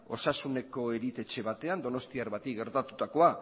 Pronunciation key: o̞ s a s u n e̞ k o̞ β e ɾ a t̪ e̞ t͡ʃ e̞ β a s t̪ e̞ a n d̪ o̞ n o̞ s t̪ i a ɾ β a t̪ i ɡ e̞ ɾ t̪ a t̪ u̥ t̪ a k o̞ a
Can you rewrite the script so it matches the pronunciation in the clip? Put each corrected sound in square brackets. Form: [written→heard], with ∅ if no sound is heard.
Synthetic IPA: o̞ s a s u n e̞ k o̞ [β→∅] e ɾ [a→i] t̪ e̞ t͡ʃ e̞ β a [s→∅] t̪ e̞ a n d̪ o̞ n o̞ s t̪ i a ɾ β a t̪ i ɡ e̞ ɾ t̪ a t̪ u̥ t̪ a k o̞ a